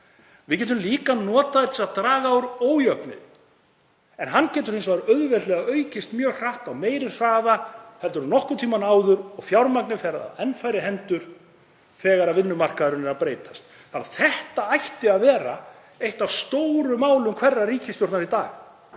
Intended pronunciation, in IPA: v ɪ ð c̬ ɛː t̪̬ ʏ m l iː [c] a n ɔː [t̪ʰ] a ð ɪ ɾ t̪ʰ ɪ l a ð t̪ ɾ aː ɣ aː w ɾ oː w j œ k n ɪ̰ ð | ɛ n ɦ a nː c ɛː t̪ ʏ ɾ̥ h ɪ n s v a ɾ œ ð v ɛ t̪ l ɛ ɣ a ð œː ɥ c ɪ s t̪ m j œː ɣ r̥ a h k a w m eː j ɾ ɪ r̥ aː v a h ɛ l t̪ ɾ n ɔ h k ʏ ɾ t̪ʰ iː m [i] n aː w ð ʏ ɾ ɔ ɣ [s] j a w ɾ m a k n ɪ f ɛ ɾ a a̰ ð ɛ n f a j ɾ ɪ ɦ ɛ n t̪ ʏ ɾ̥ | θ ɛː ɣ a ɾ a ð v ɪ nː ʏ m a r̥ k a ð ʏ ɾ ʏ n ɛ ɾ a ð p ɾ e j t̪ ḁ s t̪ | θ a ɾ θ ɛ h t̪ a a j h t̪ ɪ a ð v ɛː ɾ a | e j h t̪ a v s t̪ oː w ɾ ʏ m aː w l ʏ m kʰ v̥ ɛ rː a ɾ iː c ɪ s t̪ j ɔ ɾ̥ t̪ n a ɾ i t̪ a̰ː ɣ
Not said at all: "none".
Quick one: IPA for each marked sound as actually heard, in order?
k, t̪, a, f

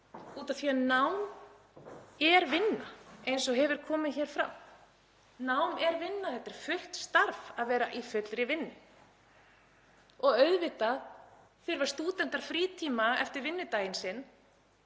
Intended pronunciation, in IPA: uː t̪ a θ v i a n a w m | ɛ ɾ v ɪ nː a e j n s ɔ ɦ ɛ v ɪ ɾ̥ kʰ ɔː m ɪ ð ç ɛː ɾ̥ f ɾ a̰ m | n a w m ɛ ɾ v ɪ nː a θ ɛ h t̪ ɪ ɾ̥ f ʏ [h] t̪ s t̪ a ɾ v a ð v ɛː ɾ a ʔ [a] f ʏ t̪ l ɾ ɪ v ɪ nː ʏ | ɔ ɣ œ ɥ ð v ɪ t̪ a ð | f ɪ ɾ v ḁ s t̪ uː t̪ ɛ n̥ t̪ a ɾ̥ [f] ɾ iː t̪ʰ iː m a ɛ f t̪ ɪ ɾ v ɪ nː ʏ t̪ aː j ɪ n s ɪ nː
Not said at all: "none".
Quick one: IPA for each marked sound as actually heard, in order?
h, i, f

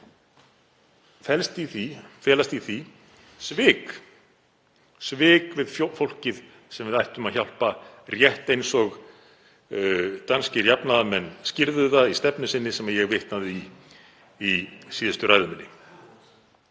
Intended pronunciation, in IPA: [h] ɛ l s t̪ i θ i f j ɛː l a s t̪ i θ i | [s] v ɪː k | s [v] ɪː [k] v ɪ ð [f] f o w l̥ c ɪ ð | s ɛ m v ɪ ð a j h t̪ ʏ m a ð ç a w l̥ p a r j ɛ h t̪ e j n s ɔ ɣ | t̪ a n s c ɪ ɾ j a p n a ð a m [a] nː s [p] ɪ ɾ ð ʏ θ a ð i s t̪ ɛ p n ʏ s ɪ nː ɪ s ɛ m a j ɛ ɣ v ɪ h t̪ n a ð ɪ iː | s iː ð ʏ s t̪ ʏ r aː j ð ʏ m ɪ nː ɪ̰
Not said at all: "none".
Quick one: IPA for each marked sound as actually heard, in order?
f, s, v, k, f, ɛ, c

